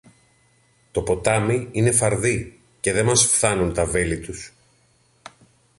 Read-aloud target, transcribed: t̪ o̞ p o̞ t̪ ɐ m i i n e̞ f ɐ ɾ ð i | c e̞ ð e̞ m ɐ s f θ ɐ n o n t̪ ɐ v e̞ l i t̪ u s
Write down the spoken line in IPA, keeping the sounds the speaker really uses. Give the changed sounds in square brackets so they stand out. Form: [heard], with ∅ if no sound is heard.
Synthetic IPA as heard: t̪ o̞ p o̞ t̪ ɐ m i i n e̞ f ɐ ɾ ð i | c e̞ ð e̞ m ɐ s f θ ɐ n [u] n t̪ ɐ v e̞ l i t̪ u s